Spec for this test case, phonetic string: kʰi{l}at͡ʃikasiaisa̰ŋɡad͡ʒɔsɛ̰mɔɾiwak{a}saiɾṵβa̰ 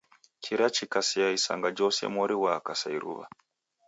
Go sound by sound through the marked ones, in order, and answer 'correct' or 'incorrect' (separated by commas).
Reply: incorrect, correct